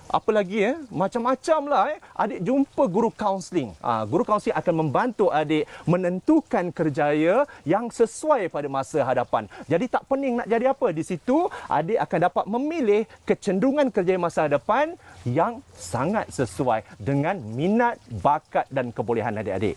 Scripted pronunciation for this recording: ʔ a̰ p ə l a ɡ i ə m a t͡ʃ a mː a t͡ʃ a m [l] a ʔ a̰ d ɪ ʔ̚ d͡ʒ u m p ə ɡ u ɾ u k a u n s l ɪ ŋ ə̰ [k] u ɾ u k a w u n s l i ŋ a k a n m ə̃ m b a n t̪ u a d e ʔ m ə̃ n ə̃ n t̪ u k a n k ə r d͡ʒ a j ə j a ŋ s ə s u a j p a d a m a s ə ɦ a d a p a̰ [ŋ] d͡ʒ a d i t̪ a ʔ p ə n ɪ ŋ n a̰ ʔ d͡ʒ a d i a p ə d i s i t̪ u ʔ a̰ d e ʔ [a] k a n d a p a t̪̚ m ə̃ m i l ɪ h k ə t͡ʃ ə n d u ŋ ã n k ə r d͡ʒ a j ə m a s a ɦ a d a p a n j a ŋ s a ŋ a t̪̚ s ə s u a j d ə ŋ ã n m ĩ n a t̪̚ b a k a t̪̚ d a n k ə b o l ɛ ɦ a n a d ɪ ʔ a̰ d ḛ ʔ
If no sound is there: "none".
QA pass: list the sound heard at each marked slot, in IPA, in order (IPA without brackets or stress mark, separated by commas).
l, ɡ, n, a